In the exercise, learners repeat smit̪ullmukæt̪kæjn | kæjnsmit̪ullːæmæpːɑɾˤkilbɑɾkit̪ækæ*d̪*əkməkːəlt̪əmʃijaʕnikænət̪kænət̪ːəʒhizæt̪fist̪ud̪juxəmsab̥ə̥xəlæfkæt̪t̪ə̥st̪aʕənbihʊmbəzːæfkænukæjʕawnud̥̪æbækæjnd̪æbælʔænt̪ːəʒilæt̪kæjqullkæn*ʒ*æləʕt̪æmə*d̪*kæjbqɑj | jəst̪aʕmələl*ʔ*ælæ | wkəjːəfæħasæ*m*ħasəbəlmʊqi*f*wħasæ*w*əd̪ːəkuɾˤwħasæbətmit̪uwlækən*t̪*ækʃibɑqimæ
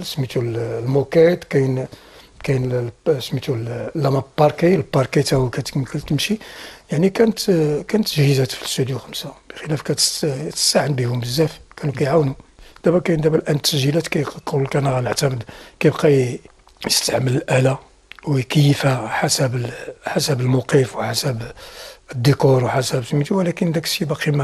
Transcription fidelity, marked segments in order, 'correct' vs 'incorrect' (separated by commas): incorrect, incorrect, correct, correct, incorrect, correct, incorrect, incorrect